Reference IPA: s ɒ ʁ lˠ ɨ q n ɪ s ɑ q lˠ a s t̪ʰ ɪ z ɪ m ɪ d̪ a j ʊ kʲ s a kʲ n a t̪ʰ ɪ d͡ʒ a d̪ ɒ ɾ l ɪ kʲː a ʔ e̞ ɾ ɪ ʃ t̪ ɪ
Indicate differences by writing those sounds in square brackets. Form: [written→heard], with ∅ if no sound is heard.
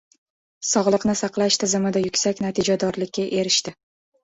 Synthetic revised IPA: s ɒ ʁ lˠ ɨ q n ɪ s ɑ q lˠ a [s→ʃ] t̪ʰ ɪ z ɪ m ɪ d̪ a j ʊ kʲ s a kʲ n a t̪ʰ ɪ d͡ʒ a d̪ ɒ ɾ l ɪ kʲː a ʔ e̞ ɾ ɪ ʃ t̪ ɪ

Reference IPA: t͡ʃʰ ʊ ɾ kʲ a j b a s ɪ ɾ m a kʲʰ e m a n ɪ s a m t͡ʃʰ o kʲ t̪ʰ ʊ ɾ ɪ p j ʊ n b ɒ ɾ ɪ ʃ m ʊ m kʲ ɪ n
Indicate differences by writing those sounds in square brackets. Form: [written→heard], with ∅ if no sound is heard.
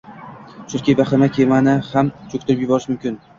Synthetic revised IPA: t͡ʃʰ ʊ ɾ kʲ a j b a [s→χ] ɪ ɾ m a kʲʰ e m a n ɪ [s→h] a m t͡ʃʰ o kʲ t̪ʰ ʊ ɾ ɪ p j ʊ [n→∅] b ɒ ɾ ɪ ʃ m ʊ m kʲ ɪ n

